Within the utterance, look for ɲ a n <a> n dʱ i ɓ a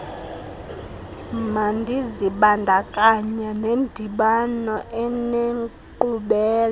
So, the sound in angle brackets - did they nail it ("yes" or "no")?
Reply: no